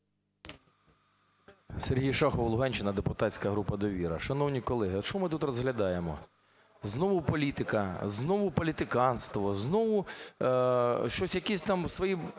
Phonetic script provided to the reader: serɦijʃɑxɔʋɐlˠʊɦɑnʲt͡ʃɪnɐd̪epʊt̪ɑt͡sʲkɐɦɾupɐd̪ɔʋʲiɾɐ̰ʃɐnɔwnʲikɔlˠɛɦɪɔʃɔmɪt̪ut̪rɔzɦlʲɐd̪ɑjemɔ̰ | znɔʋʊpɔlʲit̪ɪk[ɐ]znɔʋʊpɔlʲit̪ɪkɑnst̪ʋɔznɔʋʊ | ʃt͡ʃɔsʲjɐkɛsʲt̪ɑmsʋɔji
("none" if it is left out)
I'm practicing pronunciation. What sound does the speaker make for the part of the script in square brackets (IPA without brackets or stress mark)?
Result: ɐ